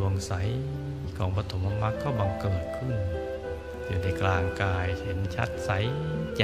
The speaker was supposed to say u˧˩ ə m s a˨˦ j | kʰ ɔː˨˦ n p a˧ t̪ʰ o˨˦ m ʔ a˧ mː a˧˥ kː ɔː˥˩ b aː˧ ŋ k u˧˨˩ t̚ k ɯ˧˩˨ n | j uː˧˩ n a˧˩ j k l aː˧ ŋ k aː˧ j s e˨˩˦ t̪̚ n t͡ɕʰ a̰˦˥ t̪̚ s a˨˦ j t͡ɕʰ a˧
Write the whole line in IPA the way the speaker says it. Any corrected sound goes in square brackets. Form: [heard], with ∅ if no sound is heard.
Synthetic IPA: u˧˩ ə [ŋ] s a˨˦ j | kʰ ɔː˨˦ [ŋ] p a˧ t̪ʰ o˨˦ m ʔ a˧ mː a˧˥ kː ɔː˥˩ b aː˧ ŋ k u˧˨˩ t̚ [kʰ] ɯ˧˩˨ n | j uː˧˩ n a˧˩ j k l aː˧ ŋ k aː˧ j [h] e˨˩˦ [∅] n t͡ɕʰ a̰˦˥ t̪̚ s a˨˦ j [t͡ɕ] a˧